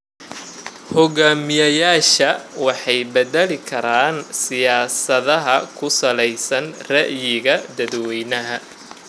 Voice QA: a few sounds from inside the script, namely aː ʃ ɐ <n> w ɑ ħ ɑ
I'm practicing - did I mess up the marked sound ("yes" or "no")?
yes